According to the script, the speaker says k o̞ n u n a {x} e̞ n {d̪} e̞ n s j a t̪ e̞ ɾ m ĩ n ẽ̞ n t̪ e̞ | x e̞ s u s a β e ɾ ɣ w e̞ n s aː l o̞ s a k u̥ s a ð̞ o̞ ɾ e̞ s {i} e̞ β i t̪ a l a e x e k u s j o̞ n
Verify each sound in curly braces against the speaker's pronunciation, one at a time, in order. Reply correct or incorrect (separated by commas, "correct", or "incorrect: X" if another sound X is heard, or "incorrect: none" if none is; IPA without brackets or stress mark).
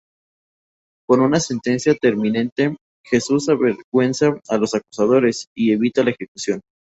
incorrect: s, incorrect: t̪, correct